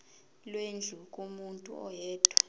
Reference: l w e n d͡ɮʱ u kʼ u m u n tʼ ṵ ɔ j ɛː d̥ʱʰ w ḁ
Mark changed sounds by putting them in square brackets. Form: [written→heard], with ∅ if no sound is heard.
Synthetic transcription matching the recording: l w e n d͡ɮʱ u kʼ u m u n tʼ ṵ ɔ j ɛː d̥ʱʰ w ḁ